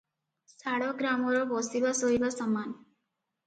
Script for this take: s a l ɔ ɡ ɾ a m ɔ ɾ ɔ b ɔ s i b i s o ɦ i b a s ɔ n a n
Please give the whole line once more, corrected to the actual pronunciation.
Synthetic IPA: s a ɽ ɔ ɡ ɾ a m ɔ ɾ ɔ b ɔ s i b a s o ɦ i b a s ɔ m a n